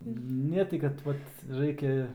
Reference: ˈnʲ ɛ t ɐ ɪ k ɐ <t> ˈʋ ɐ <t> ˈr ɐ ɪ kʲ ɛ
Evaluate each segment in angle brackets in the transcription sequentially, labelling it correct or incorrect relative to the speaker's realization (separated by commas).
correct, correct